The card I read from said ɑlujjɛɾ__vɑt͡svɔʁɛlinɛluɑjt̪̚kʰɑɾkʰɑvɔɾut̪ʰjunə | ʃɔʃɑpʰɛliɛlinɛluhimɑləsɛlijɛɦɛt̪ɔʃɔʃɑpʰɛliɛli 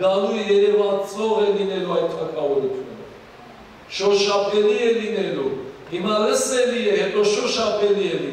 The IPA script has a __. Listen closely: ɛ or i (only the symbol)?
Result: ɛ